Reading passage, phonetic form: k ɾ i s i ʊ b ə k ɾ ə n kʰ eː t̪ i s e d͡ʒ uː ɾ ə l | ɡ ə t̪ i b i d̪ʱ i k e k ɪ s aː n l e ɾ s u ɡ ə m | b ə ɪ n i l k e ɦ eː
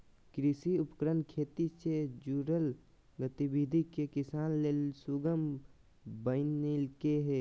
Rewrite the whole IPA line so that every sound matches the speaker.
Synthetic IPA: k ɾ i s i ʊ p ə k ɾ ə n kʰ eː t̪ i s e d͡ʒ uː ɾ ə l | ɡ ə t̪ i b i d̪ʱ i k e k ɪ s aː n l e l s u ɡ ə m | b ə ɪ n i l k e ɦ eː